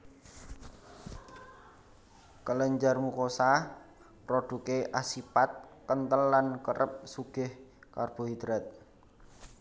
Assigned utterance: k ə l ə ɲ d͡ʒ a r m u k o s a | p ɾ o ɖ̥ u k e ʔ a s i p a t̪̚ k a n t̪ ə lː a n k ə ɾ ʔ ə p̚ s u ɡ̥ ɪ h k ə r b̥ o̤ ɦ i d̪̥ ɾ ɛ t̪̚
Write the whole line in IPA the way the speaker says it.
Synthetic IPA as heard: k ə l ə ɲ d͡ʒ a r m u k o s a | p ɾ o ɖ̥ u k e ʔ a s i p a t̪̚ k ə n t̪ ə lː a n k ə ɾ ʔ ə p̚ s u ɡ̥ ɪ h k a r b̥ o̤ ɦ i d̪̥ ɾ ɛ t̪̚